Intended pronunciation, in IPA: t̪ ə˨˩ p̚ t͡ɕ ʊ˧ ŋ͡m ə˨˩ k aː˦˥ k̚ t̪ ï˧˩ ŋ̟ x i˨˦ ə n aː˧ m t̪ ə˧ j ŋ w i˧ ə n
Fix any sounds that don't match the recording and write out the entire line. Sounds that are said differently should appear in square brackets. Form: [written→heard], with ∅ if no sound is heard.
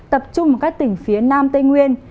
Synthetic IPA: t̪ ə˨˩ p̚ t͡ɕ ʊ˧ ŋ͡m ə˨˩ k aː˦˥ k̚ t̪ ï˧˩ ŋ̟ [x→f] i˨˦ ə n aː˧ m t̪ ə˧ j ŋ w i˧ ə n